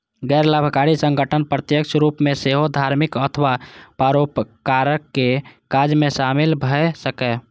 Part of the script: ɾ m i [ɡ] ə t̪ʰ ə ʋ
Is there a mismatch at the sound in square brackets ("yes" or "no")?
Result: yes